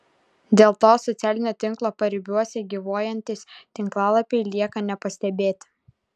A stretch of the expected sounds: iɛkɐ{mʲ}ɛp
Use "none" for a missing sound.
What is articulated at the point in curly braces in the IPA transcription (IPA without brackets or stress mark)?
nʲ